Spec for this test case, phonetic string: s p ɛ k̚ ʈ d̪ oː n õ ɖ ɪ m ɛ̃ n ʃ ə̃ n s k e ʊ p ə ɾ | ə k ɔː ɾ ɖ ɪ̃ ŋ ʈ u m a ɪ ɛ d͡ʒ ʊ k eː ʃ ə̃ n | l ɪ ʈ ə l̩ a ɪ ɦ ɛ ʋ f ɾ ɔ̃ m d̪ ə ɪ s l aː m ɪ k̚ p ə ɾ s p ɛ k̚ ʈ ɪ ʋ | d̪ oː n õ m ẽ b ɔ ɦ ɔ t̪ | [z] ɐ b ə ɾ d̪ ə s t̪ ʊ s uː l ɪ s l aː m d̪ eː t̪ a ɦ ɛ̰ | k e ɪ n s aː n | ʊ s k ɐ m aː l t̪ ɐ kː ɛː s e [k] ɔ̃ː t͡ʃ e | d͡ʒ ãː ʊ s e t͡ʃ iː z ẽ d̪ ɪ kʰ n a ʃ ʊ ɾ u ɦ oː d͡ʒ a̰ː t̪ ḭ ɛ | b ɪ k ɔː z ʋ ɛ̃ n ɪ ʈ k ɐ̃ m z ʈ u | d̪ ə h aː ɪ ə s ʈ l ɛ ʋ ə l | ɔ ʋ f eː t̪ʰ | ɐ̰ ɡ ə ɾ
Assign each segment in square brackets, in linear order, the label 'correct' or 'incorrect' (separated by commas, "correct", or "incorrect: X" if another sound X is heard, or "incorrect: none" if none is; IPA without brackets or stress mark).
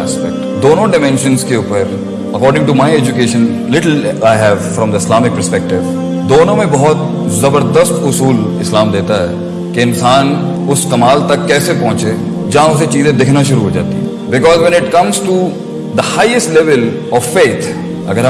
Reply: correct, incorrect: p